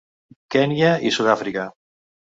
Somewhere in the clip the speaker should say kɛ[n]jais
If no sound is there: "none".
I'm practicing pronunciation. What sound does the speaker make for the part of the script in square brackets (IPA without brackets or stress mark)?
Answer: n